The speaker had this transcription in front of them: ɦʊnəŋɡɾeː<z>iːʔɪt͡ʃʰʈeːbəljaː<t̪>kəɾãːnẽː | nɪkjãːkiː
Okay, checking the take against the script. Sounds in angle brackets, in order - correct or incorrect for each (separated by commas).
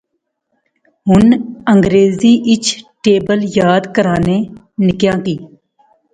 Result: correct, incorrect